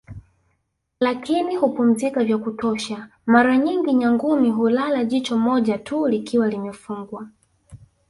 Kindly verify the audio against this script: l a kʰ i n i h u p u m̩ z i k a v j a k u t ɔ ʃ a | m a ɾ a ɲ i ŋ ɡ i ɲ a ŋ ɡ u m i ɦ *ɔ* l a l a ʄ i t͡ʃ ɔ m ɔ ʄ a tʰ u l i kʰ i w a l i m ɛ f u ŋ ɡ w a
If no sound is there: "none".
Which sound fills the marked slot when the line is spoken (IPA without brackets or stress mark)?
u